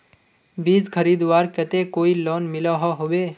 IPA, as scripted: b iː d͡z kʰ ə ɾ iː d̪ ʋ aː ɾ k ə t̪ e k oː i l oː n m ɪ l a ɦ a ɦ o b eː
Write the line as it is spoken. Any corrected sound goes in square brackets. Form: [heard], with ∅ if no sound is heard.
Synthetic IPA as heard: b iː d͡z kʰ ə ɾ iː d̪ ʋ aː ɾ k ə t̪ e k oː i l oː n m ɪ l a ɦ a ɦ o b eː